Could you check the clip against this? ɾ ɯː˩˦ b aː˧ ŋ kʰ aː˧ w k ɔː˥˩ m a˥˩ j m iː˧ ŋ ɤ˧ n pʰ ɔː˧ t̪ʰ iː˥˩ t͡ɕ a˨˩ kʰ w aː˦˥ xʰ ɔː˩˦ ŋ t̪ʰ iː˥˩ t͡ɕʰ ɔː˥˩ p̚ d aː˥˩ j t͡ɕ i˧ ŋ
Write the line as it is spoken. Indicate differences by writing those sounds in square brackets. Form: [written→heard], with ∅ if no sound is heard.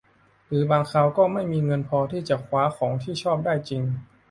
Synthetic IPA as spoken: ɾ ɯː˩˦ b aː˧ ŋ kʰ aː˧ w k ɔː˥˩ m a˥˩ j m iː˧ ŋ ɤ˧ n pʰ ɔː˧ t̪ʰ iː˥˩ t͡ɕ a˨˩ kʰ w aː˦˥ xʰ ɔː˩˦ ŋ t̪ʰ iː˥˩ t͡ɕʰ ɔː˥˩ p̚ d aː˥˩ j t͡ɕ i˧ ŋ